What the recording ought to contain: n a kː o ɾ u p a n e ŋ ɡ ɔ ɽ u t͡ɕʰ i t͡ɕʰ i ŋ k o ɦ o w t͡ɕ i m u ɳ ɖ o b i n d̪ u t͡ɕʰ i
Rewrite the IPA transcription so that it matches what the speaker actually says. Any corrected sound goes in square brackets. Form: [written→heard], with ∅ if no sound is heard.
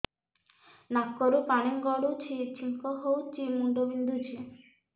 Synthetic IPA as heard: n a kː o ɾ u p a n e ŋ ɡ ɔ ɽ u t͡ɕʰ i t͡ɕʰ i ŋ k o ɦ o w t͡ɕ i m u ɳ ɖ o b i n d̪ u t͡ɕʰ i